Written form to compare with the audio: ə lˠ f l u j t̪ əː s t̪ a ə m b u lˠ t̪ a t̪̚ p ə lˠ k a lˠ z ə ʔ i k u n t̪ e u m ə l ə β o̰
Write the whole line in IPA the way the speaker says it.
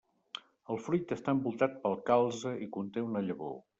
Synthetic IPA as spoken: ə lˠ f ɾ u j t̪ ə s t̪ a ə m b u lˠ t̪ a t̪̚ p ə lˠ k a lˠ z ə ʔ i k u n t̪ e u n ə ʎ ə β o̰